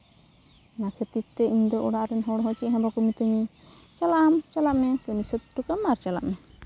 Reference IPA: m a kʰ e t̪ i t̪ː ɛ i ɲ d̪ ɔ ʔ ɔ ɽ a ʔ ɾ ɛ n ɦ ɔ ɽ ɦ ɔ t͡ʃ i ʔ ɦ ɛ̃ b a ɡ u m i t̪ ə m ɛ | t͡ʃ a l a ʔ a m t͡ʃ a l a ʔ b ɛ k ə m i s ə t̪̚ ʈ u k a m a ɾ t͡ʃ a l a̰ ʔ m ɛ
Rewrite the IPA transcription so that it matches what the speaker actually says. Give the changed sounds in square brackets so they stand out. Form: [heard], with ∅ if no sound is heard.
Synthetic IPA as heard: [n] a kʰ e t̪ i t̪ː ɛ i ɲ d̪ ɔ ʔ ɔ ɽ a ʔ ɾ ɛ n ɦ ɔ ɽ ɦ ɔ t͡ʃ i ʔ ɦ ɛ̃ b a [k] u m i t̪ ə [ɲ] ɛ | t͡ʃ a l a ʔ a m t͡ʃ a l a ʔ [m] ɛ k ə m i s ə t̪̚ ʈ u k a m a ɾ t͡ʃ a l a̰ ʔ m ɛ